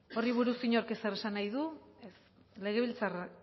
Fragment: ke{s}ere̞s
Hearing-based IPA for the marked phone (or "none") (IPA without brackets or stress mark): s